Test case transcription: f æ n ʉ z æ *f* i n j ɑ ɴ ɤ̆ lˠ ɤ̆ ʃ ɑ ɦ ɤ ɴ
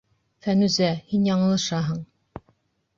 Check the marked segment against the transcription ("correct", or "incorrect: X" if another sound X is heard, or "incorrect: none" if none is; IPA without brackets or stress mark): incorrect: h